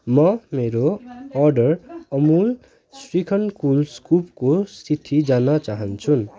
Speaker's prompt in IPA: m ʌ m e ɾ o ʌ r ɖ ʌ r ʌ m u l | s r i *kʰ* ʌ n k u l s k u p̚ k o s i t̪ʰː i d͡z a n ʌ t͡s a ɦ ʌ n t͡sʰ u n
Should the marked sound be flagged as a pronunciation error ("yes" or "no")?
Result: no